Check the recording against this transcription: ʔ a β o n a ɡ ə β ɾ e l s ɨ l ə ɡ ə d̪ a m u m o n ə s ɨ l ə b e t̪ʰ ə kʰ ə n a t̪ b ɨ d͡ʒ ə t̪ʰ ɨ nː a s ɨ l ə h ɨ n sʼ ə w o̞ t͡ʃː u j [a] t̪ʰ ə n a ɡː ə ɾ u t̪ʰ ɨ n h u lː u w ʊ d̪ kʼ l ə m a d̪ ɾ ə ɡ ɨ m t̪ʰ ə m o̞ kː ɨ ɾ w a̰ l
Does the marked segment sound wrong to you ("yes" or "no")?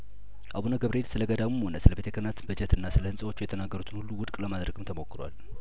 yes